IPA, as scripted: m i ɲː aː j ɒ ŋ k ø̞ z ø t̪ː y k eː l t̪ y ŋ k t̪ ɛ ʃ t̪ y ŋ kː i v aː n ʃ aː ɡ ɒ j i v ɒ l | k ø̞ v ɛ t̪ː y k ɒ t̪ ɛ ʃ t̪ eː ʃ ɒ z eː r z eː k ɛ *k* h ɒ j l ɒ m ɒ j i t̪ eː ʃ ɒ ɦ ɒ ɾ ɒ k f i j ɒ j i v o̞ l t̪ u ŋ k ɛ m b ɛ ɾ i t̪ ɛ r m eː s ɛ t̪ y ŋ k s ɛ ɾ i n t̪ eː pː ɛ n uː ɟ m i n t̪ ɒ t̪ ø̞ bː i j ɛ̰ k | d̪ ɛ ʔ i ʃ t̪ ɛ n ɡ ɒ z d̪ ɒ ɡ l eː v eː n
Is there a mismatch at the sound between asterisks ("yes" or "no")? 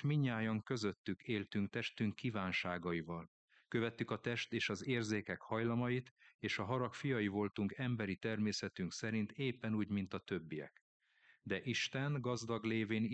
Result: no